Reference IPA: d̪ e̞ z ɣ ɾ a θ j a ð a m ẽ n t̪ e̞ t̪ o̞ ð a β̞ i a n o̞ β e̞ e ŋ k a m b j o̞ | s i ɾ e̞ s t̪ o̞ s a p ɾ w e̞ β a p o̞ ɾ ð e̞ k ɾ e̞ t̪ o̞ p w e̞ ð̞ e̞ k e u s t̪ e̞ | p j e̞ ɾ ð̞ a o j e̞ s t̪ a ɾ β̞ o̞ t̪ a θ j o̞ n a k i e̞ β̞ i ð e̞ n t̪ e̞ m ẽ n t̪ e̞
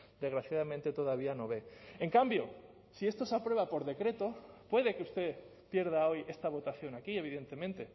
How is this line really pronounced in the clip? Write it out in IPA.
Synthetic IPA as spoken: d̪ e̞ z ɣ ɾ a θ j a ð a m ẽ n t̪ e̞ t̪ o̞ ð a β̞ i a n o̞ β e̞ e ŋ k a m b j o̞ | s i e̞ s t̪ o̞ s a p ɾ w e̞ β a p o̞ ɾ ð e̞ k ɾ e̞ t̪ o̞ p w e̞ ð̞ e̞ k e u s t̪ e̞ | p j e̞ ɾ ð̞ a o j e̞ s t̪ a β̞ o̞ t̪ a θ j o̞ n a k i e̞ β̞ i ð e̞ n t̪ e̞ m ẽ n t̪ e̞

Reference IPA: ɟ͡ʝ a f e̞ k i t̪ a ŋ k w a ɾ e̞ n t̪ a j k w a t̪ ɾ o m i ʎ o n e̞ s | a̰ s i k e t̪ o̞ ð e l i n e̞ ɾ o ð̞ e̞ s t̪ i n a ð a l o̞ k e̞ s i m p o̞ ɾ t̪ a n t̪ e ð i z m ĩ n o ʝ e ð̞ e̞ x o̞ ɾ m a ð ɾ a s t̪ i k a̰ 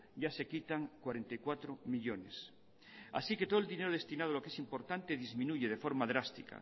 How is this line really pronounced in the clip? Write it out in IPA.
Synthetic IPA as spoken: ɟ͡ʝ a s e̞ k i t̪ a ŋ k w a ɾ e̞ n t̪ a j k w a t̪ ɾ o m i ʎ o n e̞ s | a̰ s i k e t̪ o̞ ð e l i n e̞ ɾ o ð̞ e̞ s t̪ i n a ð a l o̞ k e̞ s i m p o̞ ɾ t̪ a n t̪ e ð i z m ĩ n u ʝ e ð̞ e̞ f o̞ ɾ m a ð ɾ a s t̪ i k a̰

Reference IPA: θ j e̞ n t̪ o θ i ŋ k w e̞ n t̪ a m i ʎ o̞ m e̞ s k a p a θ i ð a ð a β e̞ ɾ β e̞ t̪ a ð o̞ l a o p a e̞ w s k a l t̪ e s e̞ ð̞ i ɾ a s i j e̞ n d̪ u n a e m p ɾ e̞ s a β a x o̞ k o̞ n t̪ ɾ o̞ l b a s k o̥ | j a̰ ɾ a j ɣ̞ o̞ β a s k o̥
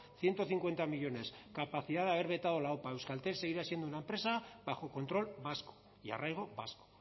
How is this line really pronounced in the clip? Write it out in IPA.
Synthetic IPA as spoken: θ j e̞ n t̪ o θ i ŋ k w e̞ n t̪ a m i ʎ o̞ n e̞ s k a p a θ i ð a ð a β e̞ ɾ β e̞ t̪ a ð o̞ l a o p a e̞ w s k a l t̪ e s e̞ ɣ̞ i ɾ a s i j e̞ n d̪ u n a e m p ɾ e̞ s a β a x o̞ k o̞ n t̪ ɾ o̞ l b a s k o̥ | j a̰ r a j ɣ̞ o̞ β a s k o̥

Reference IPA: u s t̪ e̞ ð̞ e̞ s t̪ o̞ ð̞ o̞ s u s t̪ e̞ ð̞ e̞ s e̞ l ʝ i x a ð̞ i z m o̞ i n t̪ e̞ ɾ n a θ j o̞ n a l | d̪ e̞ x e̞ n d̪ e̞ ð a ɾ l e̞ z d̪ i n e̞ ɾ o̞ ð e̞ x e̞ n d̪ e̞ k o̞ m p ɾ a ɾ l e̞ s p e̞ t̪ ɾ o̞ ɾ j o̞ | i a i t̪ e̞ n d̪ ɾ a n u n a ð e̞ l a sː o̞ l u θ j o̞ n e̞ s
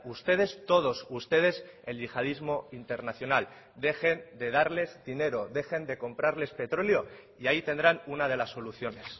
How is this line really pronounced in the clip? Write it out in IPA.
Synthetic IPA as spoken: u s t̪ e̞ ð̞ e̞ s t̪ o̞ ð̞ o̞ s u s t̪ e̞ ð̞ e̞ s e̞ l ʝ i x a ð̞ i z m o̞ i n t̪ e̞ ɾ n a θ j o̞ n a l | d̪ e̞ x e̞ n d̪ e̞ ð a ɾ l e̞ z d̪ i n e̞ ɾ o̞ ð e̞ x e̞ n d̪ e̞ k o̞ m p ɾ a ɾ l e̞ s p e̞ t̪ ɾ o̞ l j o̞ | i a i t̪ e̞ n d̪ ɾ a n u n a ð e̞ l a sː o̞ l u θ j o̞ n e̞ s

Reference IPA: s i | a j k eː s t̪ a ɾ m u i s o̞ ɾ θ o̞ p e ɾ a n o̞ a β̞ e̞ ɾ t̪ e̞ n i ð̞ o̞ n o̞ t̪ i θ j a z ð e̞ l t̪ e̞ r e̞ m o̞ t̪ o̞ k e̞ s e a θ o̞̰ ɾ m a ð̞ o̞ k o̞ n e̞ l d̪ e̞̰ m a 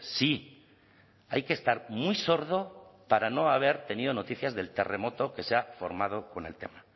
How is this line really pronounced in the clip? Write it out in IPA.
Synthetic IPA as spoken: s i | a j k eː s t̪ a ɾ m u j s o̞ ɾ ð o̞ p a ɾ a n o̞ a β̞ e̞ ɾ t̪ e̞ n i ð̞ o̞ n o̞ t̪ i θ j a z ð e̞ l t̪ e̞ r e̞ m o̞ t̪ o̞ k e̞ s e a f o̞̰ ɾ m a ð̞ o̞ k o̞ n e̞ l t̪ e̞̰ m a

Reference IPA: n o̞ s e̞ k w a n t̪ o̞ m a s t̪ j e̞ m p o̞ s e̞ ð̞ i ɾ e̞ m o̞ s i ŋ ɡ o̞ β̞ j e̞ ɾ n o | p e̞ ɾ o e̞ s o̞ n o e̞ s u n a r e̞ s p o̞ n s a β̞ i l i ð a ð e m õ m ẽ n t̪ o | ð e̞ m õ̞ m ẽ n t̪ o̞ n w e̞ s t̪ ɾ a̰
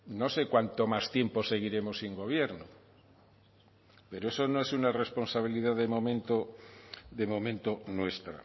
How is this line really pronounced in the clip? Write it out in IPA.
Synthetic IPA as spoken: n o̞ s e̞ k w a n t̪ o̞ m a s t̪ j e̞ m p o̞ s e̞ ɣ̞ i ɾ e̞ m o̞ s i ŋ ɡ o̞ β̞ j e̞ ɾ n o | p e̞ ɾ o e̞ s o̞ n o e̞ s u n a r e̞ s p o̞ n s a β̞ i l i ð a ð e m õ m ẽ n t̪ o | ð e̞ m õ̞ m ẽ n t̪ o̞ n w e̞ s t̪ ɾ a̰

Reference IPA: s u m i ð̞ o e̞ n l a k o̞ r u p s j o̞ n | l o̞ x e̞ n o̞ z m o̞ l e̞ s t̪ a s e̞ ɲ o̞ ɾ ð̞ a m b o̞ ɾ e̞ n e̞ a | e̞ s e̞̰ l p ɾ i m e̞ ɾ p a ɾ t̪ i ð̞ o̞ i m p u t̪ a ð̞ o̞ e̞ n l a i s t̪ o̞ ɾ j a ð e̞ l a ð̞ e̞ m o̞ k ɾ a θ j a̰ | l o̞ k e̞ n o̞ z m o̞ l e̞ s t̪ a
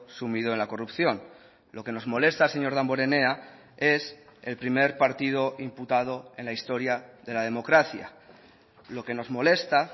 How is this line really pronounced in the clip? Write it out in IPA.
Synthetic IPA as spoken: s u m i ð̞ o e̞ n l a k o̞ r u p θ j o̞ n | l o̞ k e̞ n o̞ z m o̞ l e̞ s t̪ a s e̞ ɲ o̞ ɾ ð̞ a m b o̞ ɾ e̞ n e̞ a | e̞ s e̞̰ l p ɾ i m e̞ ɾ p a ɾ t̪ i ð̞ o̞ i m p u t̪ a ð̞ o̞ e̞ n l a i s t̪ o̞ ɾ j a ð e̞ l a ð̞ e̞ m o̞ k ɾ a θ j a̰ | l o̞ k e̞ n o̞ z m o̞ l e̞ s t̪ a

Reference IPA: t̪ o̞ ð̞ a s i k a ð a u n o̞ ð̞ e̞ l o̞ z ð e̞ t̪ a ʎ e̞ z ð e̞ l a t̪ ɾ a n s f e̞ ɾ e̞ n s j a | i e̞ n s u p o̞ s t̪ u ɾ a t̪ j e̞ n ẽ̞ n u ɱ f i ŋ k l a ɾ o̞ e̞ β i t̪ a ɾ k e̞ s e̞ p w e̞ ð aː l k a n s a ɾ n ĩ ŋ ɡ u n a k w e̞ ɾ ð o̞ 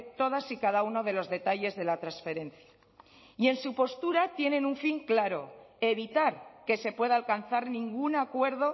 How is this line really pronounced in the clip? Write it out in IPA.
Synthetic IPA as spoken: t̪ o̞ ð̞ a s i k a ð a u n o̞ ð̞ e̞ l o̞ z ð e̞ t̪ a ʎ e̞ z ð e̞ l a t̪ ɾ a n s f e̞ ɾ e̞ n θ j a | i e̞ n s u p o̞ s t̪ u ɾ a t̪ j e̞ n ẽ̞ n u ɱ f i ŋ k l a ɾ o̞ e̞ β i t̪ a ɾ k e̞ s e̞ p w e̞ ð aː l k a n θ a ɾ n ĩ ŋ ɡ u n a k w e̞ ɾ ð o̞

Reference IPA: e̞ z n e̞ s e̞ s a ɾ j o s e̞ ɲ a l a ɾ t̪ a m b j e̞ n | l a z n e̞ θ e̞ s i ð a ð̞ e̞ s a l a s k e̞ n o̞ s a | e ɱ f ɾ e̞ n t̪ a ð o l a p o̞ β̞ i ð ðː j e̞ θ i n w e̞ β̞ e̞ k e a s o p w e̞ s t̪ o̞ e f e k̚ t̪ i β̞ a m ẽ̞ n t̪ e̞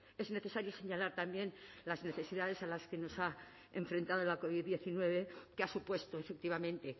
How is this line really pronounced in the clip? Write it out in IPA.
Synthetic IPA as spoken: e̞ z n e̞ θ e̞ s a ɾ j o s e̞ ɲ a l a ɾ t̪ a m b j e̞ n | l a z n e̞ θ e̞ s i ð a ð̞ e̞ s a l a s k e̞ n o̞ s a | e ɱ f ɾ e̞ n t̪ a ð o l a k o̞ β̞ i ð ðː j e̞ θ i n w e̞ β̞ e̞ k e a s u p w e̞ s t̪ o̞ e f e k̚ t̪ i β̞ a m ẽ̞ n t̪ e̞

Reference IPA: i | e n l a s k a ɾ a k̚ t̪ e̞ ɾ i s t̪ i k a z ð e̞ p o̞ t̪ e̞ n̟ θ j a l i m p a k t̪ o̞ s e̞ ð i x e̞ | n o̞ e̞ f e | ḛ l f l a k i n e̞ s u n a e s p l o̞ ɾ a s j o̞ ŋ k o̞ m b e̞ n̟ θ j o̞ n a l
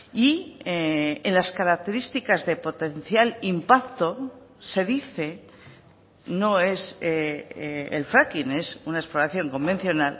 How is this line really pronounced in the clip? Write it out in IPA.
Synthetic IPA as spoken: i | e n l a s k a ɾ a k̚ t̪ e̞ ɾ i s t̪ i k a z ð e̞ p o̞ t̪ e̞ n̟ θ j a l i m p a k t̪ o̞ s e̞ ð i θ e̞ | n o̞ e̞ s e | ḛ l f ɾ a k i n e̞ s u n a e s p l o̞ ɾ a θ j o̞ ŋ k o̞ m b e̞ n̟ θ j o̞ n a l

